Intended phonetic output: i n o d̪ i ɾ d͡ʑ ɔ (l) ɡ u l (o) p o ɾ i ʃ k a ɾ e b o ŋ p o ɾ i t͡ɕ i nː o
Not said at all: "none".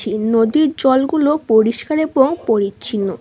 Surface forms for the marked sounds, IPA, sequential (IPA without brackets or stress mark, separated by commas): l, o